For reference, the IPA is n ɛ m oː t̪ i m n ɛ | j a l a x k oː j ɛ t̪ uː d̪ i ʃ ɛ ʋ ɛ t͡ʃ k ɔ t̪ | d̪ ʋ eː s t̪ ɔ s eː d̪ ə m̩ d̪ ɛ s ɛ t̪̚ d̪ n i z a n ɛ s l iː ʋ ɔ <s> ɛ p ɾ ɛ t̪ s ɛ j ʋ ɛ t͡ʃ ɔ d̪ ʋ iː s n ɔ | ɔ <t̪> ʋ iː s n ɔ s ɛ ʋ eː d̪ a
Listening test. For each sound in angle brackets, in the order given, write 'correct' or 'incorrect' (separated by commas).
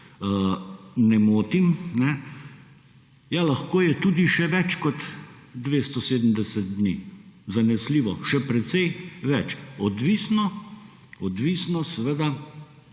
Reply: incorrect, incorrect